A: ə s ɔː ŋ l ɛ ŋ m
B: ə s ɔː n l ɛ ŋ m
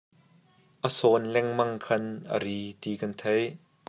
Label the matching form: B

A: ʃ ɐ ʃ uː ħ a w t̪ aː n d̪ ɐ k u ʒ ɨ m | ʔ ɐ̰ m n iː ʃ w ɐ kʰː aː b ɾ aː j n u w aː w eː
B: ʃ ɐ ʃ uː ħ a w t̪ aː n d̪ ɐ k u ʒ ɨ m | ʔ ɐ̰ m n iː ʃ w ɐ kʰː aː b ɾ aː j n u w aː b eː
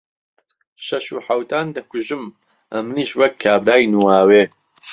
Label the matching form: A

